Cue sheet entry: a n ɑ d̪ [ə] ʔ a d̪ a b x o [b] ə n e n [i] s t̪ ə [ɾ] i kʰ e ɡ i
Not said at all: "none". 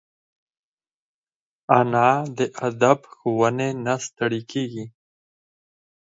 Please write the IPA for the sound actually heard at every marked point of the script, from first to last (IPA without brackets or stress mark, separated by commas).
ə, w, a, ɽ